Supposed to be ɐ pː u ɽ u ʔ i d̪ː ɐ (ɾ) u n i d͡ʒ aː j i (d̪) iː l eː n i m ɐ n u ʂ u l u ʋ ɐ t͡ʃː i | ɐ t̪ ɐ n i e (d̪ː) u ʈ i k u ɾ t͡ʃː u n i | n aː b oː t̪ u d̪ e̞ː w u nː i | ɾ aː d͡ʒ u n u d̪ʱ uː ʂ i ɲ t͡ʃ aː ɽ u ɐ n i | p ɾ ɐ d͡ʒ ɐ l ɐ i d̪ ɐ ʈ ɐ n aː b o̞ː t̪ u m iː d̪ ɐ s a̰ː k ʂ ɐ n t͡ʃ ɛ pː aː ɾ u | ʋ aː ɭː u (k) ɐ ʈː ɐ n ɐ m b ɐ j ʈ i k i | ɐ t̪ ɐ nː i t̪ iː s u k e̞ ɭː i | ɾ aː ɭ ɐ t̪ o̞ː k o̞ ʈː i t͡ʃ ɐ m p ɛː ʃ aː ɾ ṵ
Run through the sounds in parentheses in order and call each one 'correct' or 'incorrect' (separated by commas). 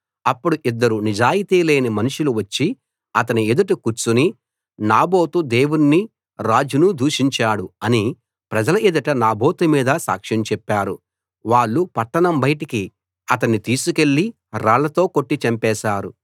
correct, incorrect, incorrect, incorrect